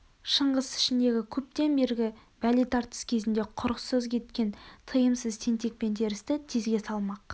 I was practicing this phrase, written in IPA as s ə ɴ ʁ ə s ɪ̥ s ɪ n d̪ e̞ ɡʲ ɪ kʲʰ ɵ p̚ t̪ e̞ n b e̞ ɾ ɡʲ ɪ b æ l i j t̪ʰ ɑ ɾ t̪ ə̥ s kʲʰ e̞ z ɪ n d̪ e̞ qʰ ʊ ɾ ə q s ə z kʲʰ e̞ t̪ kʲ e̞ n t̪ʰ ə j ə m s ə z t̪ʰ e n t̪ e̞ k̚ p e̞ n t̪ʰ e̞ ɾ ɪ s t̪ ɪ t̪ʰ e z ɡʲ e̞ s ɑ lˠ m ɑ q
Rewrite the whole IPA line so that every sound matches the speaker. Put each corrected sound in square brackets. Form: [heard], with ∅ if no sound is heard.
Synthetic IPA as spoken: [ʃ] ə ɴ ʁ ə s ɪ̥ [ʃ] ɪ n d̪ e̞ ɡʲ ɪ kʲʰ ɵ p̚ t̪ e̞ n b e̞ ɾ ɡʲ ɪ b æ l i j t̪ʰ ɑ ɾ t̪ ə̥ s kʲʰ e̞ z ɪ n d̪ e̞ qʰ ʊ ɾ ə q s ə z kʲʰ e̞ t̪ kʲ e̞ n t̪ʰ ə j ə m s ə z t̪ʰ e n t̪ e̞ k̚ p e̞ n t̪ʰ e̞ ɾ ɪ s t̪ ɪ t̪ʰ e z ɡʲ e̞ s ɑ lˠ m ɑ q